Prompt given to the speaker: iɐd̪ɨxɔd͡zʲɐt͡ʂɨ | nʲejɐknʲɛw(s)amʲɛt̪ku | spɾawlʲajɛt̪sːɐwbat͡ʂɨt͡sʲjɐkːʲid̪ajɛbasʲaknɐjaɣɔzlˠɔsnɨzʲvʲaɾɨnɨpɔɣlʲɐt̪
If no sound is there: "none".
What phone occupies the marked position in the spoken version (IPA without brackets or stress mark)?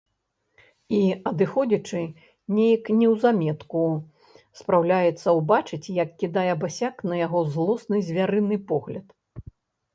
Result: z